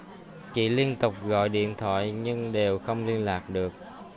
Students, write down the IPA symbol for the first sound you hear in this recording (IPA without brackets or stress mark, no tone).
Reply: t͡ɕ